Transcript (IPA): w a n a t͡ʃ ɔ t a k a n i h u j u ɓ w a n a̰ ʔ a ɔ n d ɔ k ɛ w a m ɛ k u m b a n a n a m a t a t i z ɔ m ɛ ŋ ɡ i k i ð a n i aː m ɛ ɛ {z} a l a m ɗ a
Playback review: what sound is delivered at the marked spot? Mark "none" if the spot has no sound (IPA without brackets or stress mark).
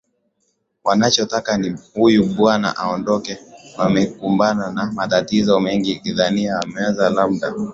z